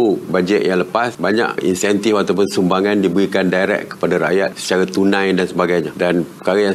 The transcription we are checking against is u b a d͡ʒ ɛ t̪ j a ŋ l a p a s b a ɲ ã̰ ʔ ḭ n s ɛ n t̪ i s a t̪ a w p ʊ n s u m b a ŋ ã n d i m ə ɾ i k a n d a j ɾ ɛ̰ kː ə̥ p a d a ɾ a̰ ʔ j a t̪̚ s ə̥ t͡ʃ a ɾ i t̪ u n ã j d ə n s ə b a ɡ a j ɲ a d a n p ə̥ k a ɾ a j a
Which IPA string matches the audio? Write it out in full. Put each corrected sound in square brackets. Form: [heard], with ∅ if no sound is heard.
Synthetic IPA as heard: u b a d͡ʒ ɛ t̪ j a ŋ l [ə] p a s b a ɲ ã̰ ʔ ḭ n s ɛ n t̪ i [f] a t̪ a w p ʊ n s u m b a ŋ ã n d i [b] ə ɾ i k a n d a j ɾ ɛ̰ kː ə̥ p a d a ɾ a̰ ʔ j a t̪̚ s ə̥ t͡ʃ a ɾ [a] t̪ u n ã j d [a] n s ə b a ɡ a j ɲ a d a n p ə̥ k a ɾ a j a